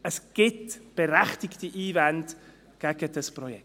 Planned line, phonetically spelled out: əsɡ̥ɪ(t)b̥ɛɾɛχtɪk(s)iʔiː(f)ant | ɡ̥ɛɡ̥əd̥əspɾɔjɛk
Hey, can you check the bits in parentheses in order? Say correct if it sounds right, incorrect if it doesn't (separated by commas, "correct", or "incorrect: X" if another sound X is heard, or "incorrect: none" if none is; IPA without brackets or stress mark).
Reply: correct, incorrect: t, incorrect: v